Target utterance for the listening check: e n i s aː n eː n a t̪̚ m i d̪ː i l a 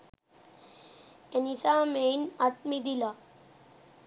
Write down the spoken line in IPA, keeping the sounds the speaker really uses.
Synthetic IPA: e n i s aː m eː n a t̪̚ m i d̪ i l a